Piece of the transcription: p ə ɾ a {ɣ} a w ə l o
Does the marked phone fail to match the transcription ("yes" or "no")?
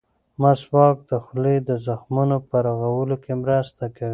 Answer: no